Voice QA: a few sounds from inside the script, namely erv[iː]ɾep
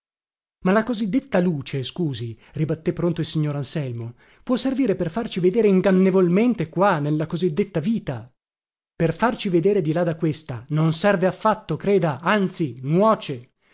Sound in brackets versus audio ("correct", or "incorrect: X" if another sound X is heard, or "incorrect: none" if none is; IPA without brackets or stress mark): correct